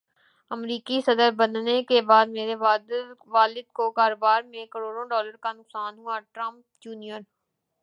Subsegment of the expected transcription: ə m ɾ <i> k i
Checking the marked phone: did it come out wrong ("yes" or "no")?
yes